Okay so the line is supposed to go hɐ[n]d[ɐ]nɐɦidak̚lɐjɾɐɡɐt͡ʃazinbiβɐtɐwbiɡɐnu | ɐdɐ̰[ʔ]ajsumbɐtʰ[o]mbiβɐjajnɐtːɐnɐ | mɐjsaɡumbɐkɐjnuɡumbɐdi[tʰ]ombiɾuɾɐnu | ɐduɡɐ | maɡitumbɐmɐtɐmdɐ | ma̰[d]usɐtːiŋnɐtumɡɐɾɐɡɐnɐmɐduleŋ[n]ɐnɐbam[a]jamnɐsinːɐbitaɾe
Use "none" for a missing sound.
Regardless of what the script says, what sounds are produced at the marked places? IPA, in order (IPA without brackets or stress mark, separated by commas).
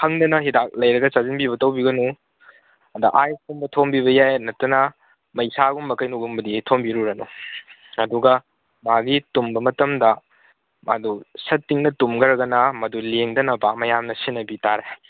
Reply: ŋ, ɐ, ʔ, o, tʰ, d, d, ɐ